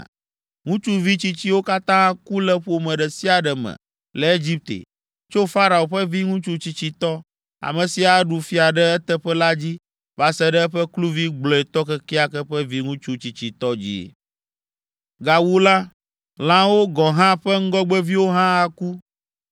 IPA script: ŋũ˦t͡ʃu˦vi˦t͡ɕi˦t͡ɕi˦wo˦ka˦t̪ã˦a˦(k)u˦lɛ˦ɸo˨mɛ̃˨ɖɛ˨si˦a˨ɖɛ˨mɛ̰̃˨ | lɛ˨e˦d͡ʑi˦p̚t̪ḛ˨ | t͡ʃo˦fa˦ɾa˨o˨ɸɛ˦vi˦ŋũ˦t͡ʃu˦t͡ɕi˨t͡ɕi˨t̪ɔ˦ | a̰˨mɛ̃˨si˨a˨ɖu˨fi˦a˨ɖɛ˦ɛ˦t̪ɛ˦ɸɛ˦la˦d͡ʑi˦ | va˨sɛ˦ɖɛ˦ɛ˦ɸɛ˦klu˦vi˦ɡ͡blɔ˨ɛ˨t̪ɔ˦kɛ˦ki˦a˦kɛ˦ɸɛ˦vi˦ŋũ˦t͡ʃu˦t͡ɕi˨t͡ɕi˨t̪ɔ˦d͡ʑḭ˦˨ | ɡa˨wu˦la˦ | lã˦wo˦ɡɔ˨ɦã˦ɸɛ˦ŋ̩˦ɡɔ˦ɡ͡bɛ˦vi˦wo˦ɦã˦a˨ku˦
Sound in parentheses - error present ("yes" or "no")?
no